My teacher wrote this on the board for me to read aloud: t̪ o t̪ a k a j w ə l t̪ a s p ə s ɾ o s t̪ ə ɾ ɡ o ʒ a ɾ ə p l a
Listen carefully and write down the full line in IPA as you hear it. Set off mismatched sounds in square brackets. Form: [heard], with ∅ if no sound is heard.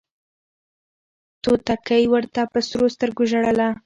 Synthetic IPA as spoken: t̪ o t̪ a k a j w ə [ɾ] t̪ a [∅] p ə s ɾ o s t̪ ə ɾ ɡ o ʒ a [ɽ] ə [∅] l a